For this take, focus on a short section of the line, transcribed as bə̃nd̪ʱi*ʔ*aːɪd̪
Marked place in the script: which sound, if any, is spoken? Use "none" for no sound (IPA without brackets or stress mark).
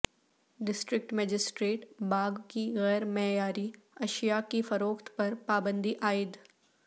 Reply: ʔ